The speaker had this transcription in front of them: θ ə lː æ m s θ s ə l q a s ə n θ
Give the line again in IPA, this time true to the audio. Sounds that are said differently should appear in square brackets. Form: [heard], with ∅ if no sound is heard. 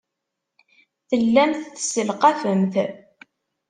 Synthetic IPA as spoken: θ ə lː æ m [θ] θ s ə l q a [f] ə [m] θ